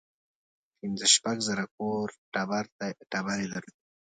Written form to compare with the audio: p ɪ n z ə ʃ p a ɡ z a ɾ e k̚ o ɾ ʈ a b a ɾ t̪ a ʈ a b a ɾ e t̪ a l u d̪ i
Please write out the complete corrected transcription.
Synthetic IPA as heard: p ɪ n z ə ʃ p a ɡ z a ɾ a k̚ o ɾ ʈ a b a ɾ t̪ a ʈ a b a ɾ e d̪ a ɾ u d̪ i